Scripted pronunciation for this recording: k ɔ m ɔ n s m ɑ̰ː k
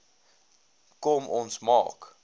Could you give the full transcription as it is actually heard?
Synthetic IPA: k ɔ m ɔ n s m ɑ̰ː k